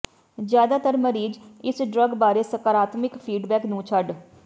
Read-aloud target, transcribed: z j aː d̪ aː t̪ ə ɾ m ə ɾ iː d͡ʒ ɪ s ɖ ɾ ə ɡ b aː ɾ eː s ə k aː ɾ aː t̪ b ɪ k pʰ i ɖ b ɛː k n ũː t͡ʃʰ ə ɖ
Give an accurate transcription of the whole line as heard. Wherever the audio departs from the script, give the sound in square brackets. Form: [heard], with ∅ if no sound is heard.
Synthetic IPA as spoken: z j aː d̪ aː t̪ ə ɾ m ə ɾ iː d͡ʒ ɪ s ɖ ɾ ə ɡ b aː ɾ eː s ə k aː ɾ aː t̪ [m] ɪ k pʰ [iː] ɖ b ɛː k n ũː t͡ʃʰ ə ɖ

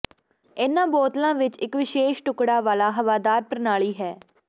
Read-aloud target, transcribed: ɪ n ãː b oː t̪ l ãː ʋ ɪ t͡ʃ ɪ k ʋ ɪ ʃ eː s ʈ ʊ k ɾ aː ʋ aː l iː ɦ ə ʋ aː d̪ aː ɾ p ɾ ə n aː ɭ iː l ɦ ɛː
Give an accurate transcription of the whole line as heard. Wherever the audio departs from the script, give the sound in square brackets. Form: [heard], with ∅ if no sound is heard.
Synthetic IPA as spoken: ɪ n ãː b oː t̪ l ãː ʋ ɪ t͡ʃ ɪ k ʋ ɪ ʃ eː [ʃ] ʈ ʊ k [ɽ] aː ʋ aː l [aː] ɦ ə ʋ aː d̪ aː ɾ p ɾ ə n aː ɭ iː [∅] ɦ ɛː

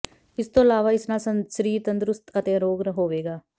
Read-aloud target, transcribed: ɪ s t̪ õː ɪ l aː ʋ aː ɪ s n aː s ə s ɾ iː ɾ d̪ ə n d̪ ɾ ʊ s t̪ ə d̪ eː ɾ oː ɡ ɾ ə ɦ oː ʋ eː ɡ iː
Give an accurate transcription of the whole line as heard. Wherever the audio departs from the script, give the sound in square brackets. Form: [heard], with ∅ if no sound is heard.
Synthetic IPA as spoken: ɪ s t̪ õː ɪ l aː ʋ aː ɪ s n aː s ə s ɾ iː ɾ [t̪] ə n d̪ ɾ ʊ s t̪ ə [t̪] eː ɾ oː ɡ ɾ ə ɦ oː ʋ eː ɡ [aː]

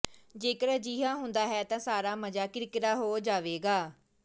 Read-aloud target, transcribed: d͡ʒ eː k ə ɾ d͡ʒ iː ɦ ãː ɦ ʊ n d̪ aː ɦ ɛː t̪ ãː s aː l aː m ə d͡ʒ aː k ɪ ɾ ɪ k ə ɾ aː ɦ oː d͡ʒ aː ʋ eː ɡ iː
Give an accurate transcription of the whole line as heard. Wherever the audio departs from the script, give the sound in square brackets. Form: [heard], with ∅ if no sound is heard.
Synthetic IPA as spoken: d͡ʒ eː k ə ɾ d͡ʒ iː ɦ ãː ɦ ʊ n d̪ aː ɦ ɛː t̪ ãː s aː [ɾ] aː m ə d͡ʒ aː k ɪ ɾ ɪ k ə ɾ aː ɦ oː d͡ʒ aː ʋ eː ɡ [aː]

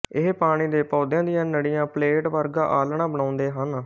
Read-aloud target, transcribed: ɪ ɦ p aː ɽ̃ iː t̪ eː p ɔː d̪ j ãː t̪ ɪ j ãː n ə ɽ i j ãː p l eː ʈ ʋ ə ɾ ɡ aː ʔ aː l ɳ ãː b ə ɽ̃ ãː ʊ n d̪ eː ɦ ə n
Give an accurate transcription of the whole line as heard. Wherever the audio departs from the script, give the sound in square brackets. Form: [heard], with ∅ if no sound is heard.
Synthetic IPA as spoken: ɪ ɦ p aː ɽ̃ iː [d̪] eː p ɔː d̪ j ãː [d̪] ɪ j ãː n ə ɽ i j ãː p l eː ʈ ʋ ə ɾ ɡ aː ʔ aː l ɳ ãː b ə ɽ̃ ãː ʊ n d̪ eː ɦ ə n

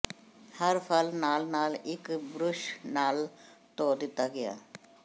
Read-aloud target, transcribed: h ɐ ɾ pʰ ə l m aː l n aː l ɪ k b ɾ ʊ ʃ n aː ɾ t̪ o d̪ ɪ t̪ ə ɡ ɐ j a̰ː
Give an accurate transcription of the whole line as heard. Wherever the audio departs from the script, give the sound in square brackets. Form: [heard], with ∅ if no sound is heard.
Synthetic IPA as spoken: h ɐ ɾ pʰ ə l [n] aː l n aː l ɪ k b ɾ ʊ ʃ n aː [l] t̪ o d̪ ɪ t̪ [a] ɡ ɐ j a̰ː

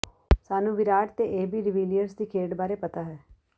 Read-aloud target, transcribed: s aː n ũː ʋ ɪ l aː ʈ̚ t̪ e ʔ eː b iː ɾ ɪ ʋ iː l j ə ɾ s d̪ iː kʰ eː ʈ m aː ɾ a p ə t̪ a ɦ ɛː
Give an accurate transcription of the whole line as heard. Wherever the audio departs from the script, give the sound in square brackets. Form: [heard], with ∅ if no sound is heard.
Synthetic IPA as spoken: s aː n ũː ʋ ɪ [ɾ] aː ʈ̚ t̪ e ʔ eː b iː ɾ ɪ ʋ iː l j ə ɾ s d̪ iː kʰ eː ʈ [b] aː ɾ [e] p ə t̪ a ɦ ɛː

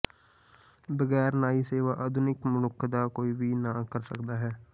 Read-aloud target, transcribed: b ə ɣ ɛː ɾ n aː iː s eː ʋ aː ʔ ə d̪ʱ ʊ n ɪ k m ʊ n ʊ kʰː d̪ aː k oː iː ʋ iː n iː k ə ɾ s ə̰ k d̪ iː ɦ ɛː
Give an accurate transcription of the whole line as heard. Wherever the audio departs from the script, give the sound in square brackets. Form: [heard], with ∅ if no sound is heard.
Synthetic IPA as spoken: b ə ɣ ɛː ɾ n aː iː s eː ʋ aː ʔ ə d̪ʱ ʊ n ɪ k m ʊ n ʊ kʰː d̪ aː k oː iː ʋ iː n [aː] k ə ɾ s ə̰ k d̪ [aː] ɦ ɛː

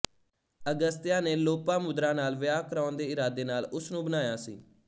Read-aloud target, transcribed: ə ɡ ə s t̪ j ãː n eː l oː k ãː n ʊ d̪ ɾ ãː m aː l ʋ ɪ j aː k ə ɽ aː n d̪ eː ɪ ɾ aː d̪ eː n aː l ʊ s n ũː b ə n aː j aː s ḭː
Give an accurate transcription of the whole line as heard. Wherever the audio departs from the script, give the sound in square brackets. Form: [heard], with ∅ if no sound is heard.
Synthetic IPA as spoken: ə ɡ ə s t̪ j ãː n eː l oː [p] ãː [m] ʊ d̪ ɾ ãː [n] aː l ʋ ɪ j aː k ə [ɾ] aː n d̪ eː ɪ ɾ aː d̪ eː n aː l ʊ s n ũː b ə n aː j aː s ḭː

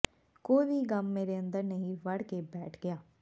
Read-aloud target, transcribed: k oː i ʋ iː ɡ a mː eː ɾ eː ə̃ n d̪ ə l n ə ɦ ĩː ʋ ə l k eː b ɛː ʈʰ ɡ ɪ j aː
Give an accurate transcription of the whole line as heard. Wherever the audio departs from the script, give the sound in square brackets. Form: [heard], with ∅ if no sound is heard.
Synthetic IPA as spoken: k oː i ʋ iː ɡ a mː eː ɾ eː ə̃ n d̪ ə [ɾ] n ə ɦ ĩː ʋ ə [ɽ] k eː b ɛː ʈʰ ɡ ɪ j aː

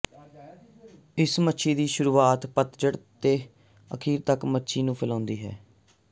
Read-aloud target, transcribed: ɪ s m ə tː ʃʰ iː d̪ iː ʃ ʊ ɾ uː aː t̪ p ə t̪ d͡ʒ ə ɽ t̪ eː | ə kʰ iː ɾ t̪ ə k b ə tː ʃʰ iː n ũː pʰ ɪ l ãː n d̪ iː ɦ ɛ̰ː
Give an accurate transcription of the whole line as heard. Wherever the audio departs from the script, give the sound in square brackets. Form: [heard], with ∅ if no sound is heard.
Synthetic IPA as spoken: ɪ s m ə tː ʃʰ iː d̪ iː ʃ ʊ ɾ uː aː t̪ p ə t̪ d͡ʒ ə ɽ t̪ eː | ə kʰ iː ɾ t̪ ə k [m] ə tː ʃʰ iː n ũː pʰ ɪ l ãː n d̪ iː ɦ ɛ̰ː

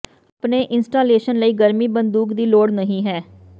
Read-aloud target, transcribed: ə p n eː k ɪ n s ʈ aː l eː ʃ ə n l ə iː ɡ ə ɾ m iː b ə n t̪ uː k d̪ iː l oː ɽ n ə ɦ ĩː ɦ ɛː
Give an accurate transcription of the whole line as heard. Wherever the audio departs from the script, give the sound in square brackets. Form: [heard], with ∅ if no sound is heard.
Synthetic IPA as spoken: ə p n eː [ʔ] ɪ n s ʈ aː l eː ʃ ə n l ə iː ɡ ə ɾ m iː b ə n [d̪] uː k d̪ iː l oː ɽ n ə ɦ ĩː ɦ ɛː

